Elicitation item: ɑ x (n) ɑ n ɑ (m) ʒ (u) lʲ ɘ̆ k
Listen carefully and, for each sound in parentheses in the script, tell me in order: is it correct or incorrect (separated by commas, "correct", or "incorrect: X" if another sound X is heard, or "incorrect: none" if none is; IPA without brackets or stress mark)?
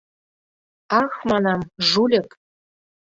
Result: incorrect: m, correct, correct